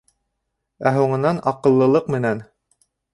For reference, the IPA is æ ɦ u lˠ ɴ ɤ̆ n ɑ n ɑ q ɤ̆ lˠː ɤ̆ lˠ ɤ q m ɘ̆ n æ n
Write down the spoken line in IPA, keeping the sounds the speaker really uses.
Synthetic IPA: æ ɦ u ɴ ɤ̆ n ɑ n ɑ q ɤ̆ lˠː ɤ̆ lˠ ɤ q m ɘ̆ n æ n